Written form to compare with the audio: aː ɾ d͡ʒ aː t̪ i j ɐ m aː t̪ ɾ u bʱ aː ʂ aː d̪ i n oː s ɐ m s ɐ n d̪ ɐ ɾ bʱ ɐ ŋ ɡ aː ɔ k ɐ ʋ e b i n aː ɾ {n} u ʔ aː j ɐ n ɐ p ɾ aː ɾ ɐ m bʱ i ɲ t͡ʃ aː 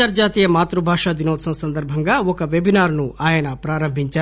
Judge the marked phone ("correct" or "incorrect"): correct